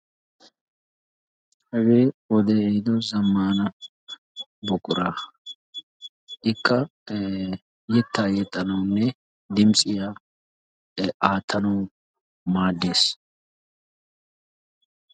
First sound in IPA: h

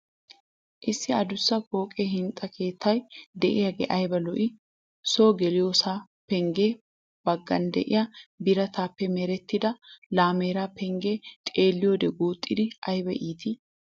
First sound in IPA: ʔ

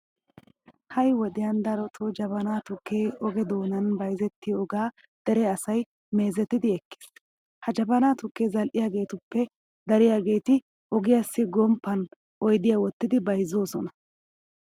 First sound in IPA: h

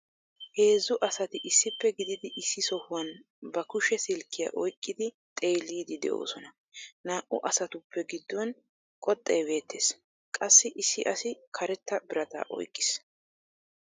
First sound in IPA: h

